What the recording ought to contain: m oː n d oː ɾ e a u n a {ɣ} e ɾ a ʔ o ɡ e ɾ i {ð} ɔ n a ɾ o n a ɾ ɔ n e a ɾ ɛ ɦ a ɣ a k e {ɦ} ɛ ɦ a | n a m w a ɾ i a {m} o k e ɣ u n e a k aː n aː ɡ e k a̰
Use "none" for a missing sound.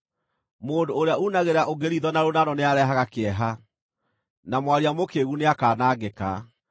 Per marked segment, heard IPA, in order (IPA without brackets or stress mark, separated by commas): ɣ, ð, none, m